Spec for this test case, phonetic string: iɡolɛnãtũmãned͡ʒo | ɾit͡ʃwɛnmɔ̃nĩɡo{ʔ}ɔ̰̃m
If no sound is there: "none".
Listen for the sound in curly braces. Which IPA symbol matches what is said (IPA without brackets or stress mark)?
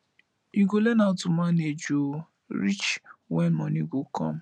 k